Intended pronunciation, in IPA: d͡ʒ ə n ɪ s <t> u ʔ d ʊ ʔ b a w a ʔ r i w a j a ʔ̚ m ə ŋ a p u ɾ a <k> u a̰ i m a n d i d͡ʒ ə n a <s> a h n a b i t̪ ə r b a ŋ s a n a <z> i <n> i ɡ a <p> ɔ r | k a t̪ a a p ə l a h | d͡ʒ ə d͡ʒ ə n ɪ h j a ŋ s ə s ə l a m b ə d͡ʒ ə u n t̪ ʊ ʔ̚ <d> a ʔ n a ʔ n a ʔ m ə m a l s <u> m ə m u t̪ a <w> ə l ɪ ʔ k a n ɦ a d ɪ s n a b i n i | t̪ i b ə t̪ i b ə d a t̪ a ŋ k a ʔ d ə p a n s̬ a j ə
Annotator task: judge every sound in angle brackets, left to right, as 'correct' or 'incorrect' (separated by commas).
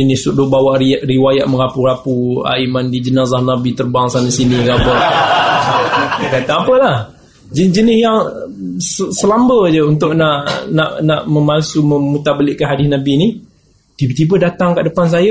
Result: incorrect, incorrect, incorrect, incorrect, correct, incorrect, incorrect, correct, incorrect